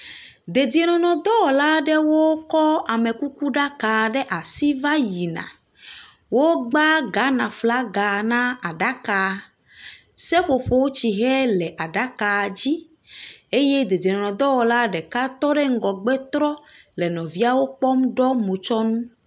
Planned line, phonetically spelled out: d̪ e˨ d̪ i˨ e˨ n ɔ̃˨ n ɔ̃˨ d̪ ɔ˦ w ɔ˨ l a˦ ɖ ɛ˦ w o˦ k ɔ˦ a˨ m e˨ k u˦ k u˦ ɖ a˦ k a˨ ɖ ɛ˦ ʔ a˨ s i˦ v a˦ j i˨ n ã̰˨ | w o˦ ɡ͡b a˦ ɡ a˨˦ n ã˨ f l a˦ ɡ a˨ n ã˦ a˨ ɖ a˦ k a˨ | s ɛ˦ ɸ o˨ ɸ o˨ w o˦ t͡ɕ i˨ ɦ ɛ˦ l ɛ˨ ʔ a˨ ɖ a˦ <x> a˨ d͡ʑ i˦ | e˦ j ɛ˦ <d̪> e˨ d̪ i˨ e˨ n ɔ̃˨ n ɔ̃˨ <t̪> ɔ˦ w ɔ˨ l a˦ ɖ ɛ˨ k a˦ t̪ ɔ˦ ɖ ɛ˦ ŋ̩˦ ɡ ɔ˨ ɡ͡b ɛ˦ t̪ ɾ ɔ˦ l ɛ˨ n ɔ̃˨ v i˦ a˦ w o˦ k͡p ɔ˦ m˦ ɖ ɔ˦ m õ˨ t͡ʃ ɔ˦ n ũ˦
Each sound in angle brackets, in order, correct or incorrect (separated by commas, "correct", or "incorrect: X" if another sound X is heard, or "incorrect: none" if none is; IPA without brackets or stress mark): incorrect: k, correct, incorrect: d̪